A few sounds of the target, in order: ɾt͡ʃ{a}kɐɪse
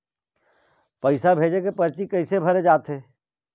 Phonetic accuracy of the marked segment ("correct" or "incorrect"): incorrect